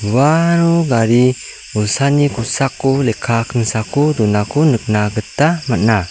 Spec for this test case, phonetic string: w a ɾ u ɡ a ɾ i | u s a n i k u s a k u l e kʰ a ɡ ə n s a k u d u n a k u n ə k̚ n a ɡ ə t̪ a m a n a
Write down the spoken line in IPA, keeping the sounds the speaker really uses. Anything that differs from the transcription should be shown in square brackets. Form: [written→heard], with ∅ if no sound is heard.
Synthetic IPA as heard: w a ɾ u ɡ a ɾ i | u s a n i k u s a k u l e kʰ a [ɡ→k] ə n s a k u d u n a k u n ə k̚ n a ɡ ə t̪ a m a n a